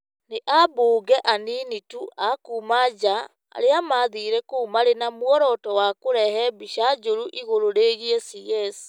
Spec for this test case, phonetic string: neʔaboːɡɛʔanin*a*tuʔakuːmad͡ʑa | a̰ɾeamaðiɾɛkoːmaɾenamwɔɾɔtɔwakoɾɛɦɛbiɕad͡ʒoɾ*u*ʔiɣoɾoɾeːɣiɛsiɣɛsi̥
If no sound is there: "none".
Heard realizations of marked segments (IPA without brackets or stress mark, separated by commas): i, u